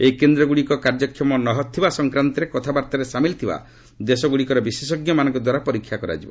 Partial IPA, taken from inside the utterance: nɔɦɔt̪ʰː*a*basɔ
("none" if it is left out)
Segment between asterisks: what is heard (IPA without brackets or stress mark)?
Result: i